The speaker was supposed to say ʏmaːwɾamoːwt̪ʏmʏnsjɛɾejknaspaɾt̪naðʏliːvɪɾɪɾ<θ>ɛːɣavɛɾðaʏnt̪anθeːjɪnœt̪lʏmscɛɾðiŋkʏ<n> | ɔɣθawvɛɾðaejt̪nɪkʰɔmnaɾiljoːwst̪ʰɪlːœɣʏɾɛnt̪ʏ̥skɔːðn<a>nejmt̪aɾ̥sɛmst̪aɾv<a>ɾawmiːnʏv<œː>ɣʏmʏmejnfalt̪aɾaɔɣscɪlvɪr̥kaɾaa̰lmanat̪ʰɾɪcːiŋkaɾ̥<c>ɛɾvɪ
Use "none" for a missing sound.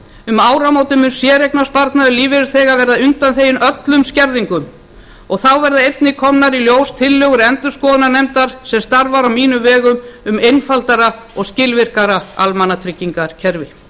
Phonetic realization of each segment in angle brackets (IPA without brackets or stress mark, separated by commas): θ, m, a, a, ɛː, cʰ